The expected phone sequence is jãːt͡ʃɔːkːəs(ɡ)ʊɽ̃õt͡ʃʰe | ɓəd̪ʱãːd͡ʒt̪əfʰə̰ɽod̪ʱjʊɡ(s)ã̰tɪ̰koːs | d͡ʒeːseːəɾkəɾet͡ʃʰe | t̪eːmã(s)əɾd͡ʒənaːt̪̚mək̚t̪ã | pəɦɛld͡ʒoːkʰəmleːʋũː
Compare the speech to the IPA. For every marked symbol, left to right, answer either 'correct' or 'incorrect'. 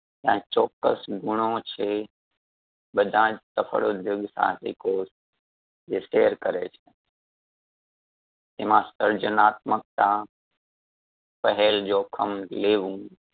correct, correct, correct

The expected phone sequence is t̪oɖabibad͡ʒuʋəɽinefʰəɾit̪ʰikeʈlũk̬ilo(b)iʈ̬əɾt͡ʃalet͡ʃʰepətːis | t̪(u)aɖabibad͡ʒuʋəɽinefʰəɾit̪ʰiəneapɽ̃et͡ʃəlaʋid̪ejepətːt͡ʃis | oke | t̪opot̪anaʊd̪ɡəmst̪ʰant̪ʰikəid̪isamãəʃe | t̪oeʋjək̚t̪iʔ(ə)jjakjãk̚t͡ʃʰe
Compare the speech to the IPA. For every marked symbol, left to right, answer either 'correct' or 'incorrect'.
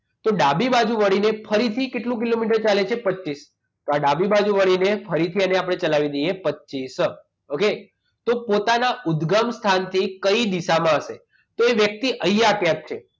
incorrect: m, incorrect: o, correct

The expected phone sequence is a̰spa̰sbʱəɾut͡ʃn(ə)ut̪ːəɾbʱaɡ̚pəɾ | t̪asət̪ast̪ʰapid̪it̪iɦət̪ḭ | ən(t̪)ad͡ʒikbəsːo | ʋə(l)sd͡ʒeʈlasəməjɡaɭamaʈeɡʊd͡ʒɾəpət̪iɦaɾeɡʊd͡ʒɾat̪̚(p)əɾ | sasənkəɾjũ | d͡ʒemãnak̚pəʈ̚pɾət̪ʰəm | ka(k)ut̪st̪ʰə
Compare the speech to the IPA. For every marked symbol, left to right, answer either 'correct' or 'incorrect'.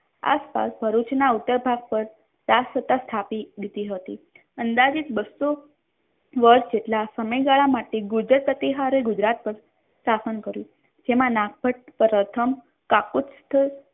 incorrect: a, incorrect: d̪, incorrect: ɾ, correct, correct

